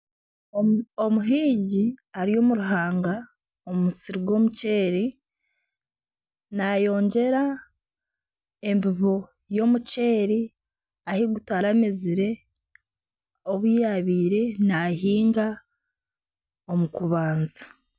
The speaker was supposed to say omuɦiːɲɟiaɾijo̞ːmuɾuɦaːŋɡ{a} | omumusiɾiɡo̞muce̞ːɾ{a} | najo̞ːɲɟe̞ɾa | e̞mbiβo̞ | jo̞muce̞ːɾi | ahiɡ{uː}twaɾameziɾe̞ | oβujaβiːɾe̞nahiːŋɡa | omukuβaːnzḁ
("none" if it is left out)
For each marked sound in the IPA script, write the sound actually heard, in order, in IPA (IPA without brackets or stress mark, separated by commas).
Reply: a, i, u